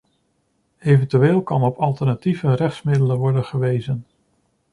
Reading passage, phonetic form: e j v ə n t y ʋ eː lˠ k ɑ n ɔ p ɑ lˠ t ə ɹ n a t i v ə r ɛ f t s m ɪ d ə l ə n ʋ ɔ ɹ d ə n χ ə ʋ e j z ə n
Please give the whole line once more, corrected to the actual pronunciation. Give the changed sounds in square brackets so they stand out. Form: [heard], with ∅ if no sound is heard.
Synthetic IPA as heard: e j v ə n t y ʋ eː lˠ k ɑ n ɔ p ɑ lˠ t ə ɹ n a t i v ə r ɛ [χ] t s m ɪ d ə l ə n ʋ ɔ ɹ d ə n χ ə ʋ e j z ə n